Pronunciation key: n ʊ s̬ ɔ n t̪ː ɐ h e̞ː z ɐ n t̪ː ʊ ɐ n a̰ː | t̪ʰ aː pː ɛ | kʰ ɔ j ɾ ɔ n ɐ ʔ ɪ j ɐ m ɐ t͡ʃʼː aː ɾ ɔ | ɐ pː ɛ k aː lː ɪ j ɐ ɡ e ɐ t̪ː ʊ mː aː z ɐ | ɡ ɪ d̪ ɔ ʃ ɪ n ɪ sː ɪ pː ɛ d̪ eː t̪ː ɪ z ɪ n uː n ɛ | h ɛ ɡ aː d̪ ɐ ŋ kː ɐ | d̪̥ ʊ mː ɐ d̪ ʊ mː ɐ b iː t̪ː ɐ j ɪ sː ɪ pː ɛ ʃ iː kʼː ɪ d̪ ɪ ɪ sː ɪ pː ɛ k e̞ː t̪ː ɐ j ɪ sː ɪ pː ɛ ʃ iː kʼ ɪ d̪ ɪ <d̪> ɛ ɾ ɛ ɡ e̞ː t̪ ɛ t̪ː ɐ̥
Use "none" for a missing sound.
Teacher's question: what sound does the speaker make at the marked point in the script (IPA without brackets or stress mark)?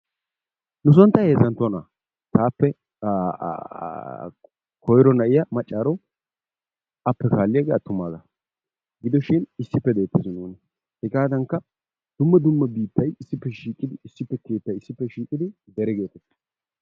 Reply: d̪